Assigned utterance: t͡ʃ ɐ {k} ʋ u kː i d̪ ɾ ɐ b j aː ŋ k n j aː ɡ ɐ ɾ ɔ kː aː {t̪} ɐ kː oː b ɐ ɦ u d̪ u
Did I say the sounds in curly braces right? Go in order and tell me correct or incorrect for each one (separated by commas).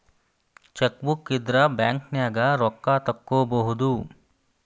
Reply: correct, correct